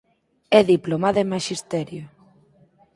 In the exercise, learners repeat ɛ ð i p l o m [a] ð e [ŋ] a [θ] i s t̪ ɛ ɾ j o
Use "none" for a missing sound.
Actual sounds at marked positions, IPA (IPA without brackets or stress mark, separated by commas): a, m, ʃ